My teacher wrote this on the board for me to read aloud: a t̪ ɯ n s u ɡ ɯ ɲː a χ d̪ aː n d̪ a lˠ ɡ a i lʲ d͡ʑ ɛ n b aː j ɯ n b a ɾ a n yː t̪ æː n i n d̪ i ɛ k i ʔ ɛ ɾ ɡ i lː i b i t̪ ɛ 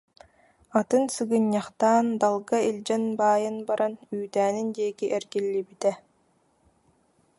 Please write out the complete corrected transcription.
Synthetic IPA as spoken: a t̪ ɯ n s ɯ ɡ ɯ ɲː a χ t̪ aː n d̪ a lˠ ɡ a i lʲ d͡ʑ ɛ n b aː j ɯ n b a ɾ a n yː t̪ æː n i n d̪ i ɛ k i ʔ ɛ ɾ ɡ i lː i b i t̪ ɛ